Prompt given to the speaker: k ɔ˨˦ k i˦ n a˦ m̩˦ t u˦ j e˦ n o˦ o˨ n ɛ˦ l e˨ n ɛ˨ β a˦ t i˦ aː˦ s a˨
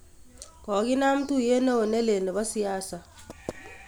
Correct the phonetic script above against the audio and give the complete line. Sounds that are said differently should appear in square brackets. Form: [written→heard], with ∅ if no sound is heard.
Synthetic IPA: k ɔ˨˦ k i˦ n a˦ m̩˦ t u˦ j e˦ n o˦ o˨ n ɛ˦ l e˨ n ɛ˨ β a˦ [t→s] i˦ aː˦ s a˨

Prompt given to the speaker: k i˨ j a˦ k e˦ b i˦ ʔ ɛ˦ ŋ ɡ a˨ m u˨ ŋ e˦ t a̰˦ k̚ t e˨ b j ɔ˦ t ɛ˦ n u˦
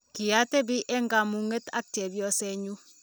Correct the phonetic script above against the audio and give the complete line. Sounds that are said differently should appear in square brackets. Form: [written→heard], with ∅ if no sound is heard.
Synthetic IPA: k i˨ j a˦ [k→t] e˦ b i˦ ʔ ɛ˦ ŋ ɡ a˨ m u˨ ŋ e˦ t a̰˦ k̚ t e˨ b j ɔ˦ [t→s] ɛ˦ [n→ɲ] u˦

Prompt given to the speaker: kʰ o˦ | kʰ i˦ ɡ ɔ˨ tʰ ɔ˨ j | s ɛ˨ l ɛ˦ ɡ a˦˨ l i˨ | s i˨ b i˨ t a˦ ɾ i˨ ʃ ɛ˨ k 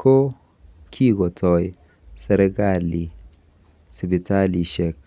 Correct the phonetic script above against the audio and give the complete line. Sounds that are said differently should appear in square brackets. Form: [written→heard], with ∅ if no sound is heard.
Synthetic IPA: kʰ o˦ | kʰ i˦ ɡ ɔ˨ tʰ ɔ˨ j | s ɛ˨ [l→ɾ] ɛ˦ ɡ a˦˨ l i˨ | s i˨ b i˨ t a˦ [ɾ→l] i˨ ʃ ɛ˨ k

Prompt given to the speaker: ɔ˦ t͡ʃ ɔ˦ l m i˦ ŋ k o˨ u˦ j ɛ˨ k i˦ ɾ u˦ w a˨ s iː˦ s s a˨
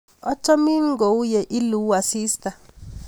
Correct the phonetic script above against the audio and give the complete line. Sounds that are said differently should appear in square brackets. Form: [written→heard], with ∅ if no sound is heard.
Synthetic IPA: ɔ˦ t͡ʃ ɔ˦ [l→∅] m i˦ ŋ [k→ɡ] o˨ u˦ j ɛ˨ [k→ʔ] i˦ [ɾ→l] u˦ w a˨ s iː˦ s [s→t] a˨

